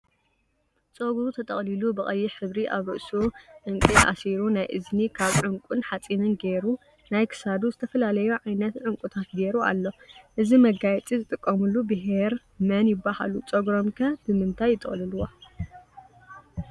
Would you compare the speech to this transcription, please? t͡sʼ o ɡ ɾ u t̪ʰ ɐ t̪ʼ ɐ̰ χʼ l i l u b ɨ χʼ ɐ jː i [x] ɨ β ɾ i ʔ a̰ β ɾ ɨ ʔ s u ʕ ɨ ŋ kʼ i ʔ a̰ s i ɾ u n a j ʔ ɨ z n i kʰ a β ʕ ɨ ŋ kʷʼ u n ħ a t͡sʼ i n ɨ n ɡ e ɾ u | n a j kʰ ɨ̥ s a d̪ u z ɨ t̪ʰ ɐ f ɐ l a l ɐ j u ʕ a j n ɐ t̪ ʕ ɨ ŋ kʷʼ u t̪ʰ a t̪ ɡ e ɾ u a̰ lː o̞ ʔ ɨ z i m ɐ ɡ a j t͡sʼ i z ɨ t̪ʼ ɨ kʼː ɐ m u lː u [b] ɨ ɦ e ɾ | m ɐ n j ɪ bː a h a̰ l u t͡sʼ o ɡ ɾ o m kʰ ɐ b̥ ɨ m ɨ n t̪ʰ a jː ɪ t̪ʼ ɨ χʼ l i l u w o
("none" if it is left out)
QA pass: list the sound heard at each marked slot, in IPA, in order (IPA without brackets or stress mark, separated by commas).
ħ, b